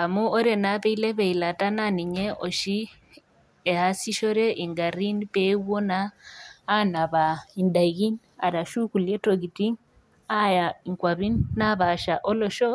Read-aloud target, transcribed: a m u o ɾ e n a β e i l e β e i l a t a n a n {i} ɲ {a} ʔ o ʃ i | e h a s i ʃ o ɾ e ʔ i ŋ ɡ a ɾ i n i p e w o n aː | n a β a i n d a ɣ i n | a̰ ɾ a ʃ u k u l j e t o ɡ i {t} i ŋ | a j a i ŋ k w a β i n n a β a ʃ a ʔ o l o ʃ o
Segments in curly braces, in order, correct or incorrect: correct, incorrect: e, correct

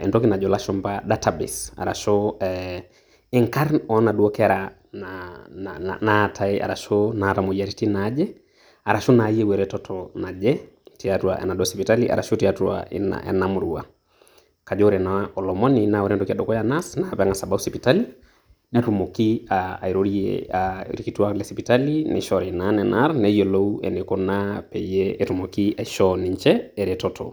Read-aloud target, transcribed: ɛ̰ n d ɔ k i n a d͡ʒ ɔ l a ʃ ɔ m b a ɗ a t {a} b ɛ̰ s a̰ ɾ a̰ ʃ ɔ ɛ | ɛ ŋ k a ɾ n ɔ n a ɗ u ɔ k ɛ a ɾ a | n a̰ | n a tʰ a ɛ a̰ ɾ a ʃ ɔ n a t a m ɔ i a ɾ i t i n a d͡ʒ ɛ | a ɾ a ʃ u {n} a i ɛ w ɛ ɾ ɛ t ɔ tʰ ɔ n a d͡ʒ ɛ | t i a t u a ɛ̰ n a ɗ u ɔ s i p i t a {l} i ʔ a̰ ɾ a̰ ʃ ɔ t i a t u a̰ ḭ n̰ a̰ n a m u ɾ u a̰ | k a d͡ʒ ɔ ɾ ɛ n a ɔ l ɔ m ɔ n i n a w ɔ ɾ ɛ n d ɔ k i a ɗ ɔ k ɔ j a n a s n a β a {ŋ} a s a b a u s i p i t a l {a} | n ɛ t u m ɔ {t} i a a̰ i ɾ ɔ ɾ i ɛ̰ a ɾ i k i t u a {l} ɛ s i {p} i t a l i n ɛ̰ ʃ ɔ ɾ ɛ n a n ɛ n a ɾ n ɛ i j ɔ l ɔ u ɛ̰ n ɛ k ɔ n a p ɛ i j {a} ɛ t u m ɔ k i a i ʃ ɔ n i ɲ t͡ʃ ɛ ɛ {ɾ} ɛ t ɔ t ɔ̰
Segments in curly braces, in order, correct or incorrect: correct, correct, correct, correct, incorrect: i, incorrect: k, correct, correct, incorrect: ɛ, correct

